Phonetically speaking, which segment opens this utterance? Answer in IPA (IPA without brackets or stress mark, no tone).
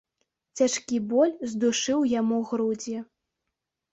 t͡sʲ